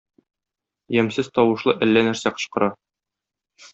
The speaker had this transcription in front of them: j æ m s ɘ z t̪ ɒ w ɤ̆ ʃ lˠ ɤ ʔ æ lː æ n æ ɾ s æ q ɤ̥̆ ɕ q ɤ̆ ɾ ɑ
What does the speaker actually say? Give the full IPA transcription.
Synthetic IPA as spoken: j æ m s ɘ z t̪ ɒ w ɤ̆ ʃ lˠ ɤ ʔ æ lː æ n æ ɾ s æ q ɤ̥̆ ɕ q ɤ̆ ɾ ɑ